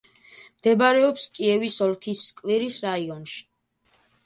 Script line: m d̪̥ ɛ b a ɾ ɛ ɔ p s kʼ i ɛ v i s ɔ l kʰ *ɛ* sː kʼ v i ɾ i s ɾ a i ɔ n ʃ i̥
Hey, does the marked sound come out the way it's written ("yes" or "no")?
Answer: no